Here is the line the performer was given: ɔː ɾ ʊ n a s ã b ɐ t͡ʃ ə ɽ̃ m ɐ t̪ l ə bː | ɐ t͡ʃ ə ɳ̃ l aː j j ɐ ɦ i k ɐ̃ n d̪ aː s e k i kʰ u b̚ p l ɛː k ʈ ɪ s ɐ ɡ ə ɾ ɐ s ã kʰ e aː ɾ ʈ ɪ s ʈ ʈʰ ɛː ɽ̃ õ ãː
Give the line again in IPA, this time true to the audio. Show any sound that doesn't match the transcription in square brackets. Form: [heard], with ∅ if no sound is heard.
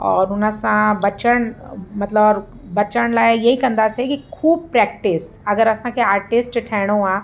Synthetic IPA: ɔː ɾ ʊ n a s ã b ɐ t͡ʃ ə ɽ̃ m ɐ t̪ l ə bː | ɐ t͡ʃ ə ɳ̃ l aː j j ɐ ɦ i k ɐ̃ n d̪ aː s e k i kʰ [uː] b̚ p [ɾ] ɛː k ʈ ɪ s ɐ ɡ ə ɾ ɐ s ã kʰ e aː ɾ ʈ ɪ s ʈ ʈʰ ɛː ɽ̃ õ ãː

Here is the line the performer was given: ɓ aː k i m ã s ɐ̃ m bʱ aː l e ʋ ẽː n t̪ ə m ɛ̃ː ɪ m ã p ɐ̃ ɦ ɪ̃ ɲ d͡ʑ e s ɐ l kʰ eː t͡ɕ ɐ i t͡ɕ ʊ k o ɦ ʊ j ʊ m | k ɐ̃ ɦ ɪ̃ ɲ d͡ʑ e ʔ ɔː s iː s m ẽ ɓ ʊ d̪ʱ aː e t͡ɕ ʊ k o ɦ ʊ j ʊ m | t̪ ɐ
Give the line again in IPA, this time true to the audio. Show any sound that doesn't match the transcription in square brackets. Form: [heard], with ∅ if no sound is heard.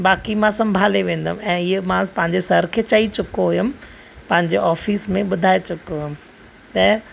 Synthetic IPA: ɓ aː k i m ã s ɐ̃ m bʱ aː l e ʋ ẽː n [d̪] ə m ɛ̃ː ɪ m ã p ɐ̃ ɦ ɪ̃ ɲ d͡ʑ e s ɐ [ɾ] kʰ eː t͡ɕ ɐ i t͡ɕ ʊ k o ɦ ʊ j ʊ m | [p] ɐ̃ ɦ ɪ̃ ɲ d͡ʑ e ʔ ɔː [f] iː s m ẽ ɓ ʊ d̪ʱ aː e t͡ɕ ʊ k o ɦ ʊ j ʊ m | t̪ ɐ

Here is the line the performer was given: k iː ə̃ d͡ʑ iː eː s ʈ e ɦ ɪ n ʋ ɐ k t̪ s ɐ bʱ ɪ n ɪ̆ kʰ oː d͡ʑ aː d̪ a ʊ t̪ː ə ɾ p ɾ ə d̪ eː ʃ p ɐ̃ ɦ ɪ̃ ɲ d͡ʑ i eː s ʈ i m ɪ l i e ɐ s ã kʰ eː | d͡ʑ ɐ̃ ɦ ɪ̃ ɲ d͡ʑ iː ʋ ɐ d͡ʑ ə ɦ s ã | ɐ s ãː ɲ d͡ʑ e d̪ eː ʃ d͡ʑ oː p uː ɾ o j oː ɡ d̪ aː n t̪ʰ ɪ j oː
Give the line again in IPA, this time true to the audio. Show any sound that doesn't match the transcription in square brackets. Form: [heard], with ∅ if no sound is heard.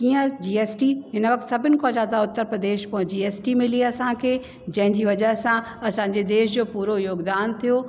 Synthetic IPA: k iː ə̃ d͡ʑ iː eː s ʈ [i] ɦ ɪ n ʋ ɐ k t̪ s ɐ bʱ ɪ n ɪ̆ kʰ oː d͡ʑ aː d̪ a ʊ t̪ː ə ɾ p ɾ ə d̪ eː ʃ p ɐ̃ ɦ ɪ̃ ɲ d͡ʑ i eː s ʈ i m ɪ l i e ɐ s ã kʰ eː | d͡ʑ ɐ̃ ɦ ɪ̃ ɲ d͡ʑ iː ʋ ɐ d͡ʑ ə ɦ s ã | ɐ s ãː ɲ d͡ʑ e d̪ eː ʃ d͡ʑ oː p uː ɾ o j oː ɡ d̪ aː n t̪ʰ [i] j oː

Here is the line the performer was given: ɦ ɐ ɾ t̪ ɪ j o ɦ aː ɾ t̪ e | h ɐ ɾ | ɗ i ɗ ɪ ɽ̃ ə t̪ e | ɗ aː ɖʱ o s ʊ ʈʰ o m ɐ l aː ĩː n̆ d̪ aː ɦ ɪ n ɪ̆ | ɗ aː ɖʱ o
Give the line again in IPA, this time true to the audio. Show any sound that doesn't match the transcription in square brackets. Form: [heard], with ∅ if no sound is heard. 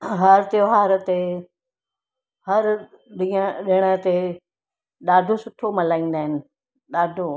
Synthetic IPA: ɦ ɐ ɾ t̪ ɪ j o ɦ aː ɾ t̪ e | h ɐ ɾ | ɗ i ɗ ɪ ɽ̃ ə t̪ e | ɗ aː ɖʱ o s ʊ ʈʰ o m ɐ l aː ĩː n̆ d̪ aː ɦ ɪ n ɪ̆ | ɗ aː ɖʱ o

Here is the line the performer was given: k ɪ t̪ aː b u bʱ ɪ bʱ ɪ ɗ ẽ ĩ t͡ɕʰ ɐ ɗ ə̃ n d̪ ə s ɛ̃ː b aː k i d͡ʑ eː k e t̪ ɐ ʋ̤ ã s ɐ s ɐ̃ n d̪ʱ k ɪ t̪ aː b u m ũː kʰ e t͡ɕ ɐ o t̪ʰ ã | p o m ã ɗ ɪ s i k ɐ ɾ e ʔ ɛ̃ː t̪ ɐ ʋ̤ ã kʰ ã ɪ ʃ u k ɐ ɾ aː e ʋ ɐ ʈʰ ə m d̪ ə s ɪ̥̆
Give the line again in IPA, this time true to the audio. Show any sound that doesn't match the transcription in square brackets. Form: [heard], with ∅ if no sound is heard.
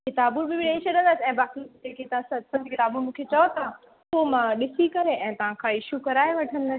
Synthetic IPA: k ɪ t̪ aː b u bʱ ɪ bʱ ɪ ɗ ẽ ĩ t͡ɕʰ ɐ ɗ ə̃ n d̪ ə s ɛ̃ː b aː k i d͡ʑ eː k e t̪ ɐ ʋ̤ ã s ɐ s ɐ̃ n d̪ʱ k ɪ t̪ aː b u m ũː kʰ e t͡ɕ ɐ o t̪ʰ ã | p o m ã ɗ ɪ s i k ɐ ɾ e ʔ ɛ̃ː t̪ ɐ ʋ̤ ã kʰ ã ɪ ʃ u k ɐ ɾ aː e ʋ ɐ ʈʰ ə [n] d̪ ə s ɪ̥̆

